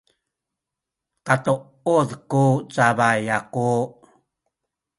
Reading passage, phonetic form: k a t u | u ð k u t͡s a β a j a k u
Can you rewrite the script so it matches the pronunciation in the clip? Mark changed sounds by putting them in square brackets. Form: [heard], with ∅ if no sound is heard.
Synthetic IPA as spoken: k a t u | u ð k u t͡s a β a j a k u